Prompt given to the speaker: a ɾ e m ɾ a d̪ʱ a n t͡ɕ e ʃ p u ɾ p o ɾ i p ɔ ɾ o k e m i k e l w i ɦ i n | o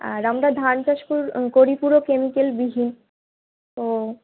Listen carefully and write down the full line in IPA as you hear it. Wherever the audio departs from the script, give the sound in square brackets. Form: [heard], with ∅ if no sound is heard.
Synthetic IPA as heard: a ɾ [a] m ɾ a d̪ʱ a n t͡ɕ [a] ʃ p u ɾ [k] o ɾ i p [u] ɾ o k e m i k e l [b] i ɦ i n | o